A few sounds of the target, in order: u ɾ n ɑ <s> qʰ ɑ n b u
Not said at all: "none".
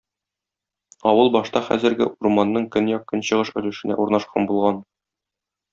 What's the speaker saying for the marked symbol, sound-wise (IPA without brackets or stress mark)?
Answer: ʃ